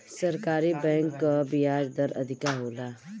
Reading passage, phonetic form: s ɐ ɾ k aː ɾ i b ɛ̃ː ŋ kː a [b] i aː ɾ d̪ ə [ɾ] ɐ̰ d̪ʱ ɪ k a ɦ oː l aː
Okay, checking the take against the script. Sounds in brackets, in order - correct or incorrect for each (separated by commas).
correct, correct